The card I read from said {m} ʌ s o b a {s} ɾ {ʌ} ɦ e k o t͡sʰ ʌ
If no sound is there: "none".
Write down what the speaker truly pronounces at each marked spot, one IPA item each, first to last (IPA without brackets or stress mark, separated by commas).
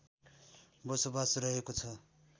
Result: b, s, ʌ